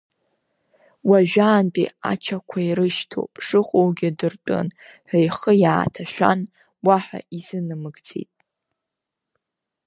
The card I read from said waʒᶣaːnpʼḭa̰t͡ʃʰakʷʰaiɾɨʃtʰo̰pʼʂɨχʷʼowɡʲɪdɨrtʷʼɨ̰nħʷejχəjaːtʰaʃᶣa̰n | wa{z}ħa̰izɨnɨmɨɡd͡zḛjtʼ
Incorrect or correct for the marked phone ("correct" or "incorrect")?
incorrect